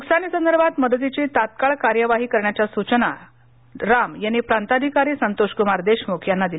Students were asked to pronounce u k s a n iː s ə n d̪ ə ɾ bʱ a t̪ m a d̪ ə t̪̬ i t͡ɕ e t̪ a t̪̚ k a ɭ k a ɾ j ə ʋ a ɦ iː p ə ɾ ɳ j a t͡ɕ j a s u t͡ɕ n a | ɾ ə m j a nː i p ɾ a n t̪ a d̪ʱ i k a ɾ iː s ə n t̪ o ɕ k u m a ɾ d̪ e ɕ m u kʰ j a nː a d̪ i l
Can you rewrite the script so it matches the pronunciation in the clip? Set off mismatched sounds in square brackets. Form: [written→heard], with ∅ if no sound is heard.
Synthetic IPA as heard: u k s a n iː s ə n d̪ ə ɾ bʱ a t̪ m [a→ə] d̪ ə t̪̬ i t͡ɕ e t̪ a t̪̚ k a ɭ k a ɾ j ə ʋ a ɦ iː [p→k] ə ɾ ɳ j a t͡ɕ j a s u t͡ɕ n a | ɾ [ə→a] m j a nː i p ɾ a n t̪ a d̪ʱ i k a ɾ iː s ə n t̪ o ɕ k u m a ɾ d̪ e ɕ m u kʰ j a nː a d̪ i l